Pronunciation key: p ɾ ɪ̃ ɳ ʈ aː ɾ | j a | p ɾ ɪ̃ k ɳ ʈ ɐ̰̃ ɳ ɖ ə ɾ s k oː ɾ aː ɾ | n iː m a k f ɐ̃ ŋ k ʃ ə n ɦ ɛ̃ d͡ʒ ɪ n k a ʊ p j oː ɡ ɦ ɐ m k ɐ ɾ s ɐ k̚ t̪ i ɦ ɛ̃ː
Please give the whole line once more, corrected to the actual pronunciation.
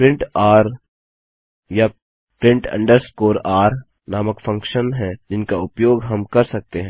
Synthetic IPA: p ɾ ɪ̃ ɳ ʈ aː ɾ | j a | p ɾ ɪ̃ ɳ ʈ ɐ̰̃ ɳ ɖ ə ɾ s k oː ɾ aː ɾ | n aː m ə k f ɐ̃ ŋ k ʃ ə n ɦ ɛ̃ d͡ʒ ɪ n k a ʊ p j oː ɡ ɦ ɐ m k ɐ ɾ s ɐ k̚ t̪ e ɦ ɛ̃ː

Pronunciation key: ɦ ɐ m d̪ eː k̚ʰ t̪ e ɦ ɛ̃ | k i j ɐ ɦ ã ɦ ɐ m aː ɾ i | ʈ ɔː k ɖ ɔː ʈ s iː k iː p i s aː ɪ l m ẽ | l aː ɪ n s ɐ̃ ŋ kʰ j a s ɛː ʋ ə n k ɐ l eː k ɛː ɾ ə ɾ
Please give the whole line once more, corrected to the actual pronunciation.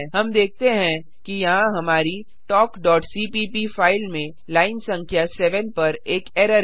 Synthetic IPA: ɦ ɐ m d̪ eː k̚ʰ t̪ e ɦ ɛ̃ | k i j ɐ ɦ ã ɦ ɐ m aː ɾ i | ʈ ɔː k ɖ ɔː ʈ s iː p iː p i f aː ɪ l m ẽ | l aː ɪ n s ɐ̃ ŋ kʰ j a s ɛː ʋ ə n p ɐ ɾ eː k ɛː ɾ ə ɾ

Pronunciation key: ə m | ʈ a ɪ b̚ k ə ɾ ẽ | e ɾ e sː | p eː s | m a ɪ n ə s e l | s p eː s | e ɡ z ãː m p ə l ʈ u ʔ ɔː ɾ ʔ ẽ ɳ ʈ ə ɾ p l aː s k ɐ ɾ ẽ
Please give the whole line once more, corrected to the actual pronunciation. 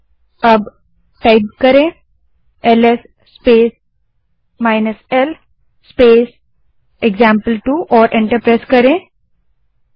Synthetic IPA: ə b | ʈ a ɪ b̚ k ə ɾ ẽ | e l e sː | p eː s | m a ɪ n ə s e l | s p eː s | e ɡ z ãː m p ə l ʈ u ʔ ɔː ɾ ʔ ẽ ɳ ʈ ə ɾ p ɾ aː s k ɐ ɾ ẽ

